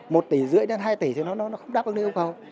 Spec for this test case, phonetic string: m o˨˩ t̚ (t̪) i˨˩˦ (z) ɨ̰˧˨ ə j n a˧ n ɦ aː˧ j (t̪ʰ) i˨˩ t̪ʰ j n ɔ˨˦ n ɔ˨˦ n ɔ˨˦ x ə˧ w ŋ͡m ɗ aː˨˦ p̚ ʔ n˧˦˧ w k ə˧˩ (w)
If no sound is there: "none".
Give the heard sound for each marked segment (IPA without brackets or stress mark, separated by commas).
t̪, z, t̪, w